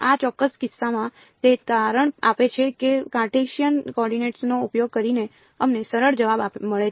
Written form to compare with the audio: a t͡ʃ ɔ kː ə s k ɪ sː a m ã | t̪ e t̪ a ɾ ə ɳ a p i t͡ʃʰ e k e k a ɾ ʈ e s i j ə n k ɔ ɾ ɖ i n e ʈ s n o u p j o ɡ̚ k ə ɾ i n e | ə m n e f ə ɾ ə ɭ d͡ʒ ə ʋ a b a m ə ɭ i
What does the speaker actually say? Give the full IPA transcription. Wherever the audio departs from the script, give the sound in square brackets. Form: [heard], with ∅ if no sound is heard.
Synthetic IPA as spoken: a t͡ʃ ɔ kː ə s k ɪ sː a m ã | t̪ e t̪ a ɾ ə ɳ a p [e] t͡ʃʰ e k e k a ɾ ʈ e [ʃ] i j ə n k ɔ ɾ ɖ i n e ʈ s n o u p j o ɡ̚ k ə ɾ i n e | ə m n e [s] ə ɾ ə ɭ d͡ʒ ə ʋ a b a m ə ɭ [e]